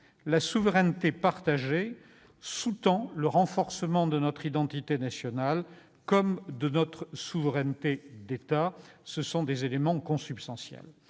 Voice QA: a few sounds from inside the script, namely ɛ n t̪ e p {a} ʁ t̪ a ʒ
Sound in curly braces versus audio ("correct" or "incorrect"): correct